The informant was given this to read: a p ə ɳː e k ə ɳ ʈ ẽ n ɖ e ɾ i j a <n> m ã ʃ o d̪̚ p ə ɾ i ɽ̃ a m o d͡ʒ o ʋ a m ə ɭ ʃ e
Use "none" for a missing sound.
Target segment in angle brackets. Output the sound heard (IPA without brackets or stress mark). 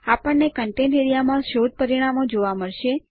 none